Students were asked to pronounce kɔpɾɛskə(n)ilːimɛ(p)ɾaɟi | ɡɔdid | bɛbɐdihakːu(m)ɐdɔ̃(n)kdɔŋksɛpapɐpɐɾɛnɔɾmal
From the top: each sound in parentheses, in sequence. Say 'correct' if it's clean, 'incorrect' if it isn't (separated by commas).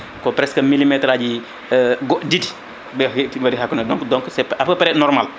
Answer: incorrect, incorrect, incorrect, incorrect